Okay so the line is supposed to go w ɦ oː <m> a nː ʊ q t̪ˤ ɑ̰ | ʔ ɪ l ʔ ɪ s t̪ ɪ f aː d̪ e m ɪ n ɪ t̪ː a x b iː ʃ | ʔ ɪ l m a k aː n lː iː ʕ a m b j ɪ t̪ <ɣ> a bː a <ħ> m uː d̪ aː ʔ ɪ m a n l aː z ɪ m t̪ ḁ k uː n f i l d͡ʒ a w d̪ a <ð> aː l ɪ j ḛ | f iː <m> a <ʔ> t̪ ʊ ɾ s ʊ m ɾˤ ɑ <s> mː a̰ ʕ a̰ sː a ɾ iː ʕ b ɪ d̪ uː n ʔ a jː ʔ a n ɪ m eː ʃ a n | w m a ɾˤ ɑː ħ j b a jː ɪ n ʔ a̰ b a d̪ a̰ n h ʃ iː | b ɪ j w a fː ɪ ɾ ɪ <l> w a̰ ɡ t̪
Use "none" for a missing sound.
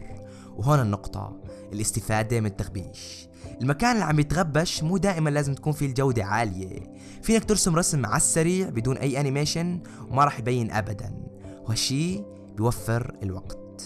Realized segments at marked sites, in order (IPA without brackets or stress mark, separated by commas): n, ɣ, ʃ, ʕ, n, k, s, l